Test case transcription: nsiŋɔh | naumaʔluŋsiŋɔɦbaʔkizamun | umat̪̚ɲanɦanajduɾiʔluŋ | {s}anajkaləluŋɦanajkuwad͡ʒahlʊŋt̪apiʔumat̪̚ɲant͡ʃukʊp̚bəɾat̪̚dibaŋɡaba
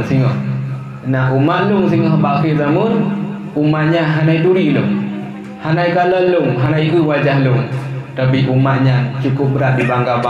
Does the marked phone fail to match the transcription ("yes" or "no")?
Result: yes